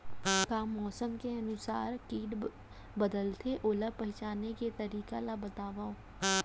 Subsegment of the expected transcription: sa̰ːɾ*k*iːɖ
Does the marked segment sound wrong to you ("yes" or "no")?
no